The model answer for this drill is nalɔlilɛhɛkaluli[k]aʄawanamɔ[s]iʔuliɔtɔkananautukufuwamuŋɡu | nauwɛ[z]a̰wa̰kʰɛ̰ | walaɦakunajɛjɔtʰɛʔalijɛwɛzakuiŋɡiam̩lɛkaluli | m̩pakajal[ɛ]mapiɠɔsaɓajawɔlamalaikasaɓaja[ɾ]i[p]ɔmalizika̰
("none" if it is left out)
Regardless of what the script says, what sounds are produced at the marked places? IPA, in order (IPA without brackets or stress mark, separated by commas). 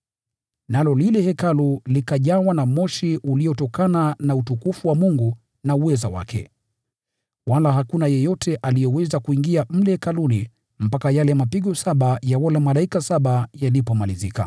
k, ʃ, z, ɛ, l, p